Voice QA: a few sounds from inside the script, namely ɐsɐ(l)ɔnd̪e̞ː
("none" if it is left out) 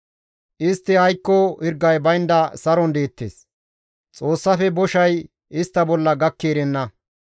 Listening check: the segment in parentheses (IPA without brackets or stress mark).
ɾ